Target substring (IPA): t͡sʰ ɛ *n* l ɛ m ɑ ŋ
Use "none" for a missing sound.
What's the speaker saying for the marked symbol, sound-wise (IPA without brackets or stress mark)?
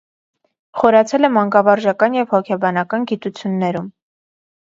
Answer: none